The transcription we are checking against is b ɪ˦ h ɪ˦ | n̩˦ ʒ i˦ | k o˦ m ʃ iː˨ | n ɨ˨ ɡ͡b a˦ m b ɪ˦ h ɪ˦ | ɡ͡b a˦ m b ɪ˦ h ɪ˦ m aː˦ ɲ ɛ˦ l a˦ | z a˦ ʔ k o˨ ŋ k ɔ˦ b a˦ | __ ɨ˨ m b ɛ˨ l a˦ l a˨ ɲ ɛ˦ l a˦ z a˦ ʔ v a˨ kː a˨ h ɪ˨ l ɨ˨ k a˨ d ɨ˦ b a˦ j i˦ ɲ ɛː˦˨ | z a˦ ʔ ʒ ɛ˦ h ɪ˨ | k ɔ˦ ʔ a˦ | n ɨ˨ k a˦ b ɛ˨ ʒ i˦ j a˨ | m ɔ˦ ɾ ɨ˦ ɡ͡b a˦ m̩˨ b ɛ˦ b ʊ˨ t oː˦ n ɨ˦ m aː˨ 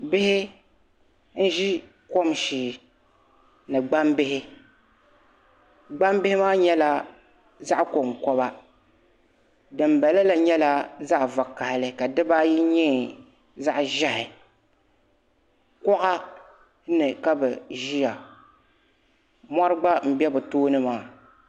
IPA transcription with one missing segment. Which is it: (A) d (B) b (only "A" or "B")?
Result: A